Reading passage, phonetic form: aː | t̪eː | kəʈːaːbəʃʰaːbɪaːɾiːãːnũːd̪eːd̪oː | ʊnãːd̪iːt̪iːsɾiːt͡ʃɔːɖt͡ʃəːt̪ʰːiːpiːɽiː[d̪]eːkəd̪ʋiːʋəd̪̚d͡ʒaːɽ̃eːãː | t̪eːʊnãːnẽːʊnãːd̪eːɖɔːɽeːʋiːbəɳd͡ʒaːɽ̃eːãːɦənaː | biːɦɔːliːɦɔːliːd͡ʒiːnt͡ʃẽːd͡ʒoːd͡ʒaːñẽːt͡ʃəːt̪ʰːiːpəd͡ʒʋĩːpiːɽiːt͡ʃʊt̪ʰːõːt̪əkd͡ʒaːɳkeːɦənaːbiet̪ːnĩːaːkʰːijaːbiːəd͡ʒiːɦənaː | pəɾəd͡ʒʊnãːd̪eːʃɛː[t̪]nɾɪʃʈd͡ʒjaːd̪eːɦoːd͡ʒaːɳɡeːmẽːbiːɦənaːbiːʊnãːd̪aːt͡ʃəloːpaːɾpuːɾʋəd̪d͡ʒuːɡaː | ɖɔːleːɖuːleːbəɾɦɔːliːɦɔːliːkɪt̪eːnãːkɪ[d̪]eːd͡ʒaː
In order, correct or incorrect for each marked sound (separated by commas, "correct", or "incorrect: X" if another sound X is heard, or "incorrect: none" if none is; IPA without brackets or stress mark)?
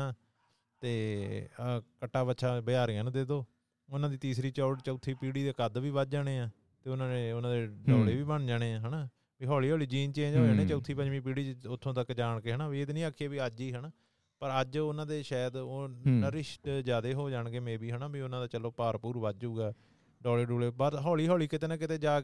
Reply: correct, incorrect: d̪, incorrect: t̪